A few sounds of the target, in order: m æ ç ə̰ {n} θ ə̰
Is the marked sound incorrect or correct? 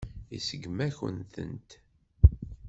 correct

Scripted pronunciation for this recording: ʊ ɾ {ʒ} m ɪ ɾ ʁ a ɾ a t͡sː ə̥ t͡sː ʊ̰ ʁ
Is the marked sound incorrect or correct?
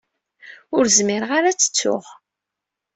incorrect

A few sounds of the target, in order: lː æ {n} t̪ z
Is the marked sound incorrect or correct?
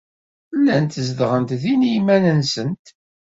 correct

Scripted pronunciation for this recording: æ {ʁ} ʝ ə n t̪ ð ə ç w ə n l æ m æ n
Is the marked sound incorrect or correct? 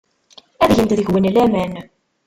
incorrect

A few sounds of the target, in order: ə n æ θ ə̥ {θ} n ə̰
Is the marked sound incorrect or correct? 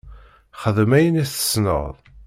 incorrect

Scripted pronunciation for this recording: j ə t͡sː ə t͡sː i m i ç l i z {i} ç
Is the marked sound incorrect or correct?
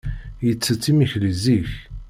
correct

